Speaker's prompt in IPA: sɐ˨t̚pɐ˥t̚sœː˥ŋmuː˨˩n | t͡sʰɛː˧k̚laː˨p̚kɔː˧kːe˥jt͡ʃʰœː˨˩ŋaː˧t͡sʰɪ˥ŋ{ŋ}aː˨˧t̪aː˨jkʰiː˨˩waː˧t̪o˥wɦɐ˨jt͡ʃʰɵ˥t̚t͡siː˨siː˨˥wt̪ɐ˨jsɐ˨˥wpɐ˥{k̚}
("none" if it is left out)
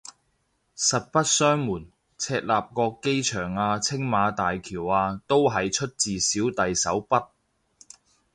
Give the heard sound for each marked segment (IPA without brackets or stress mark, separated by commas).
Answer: m, t̚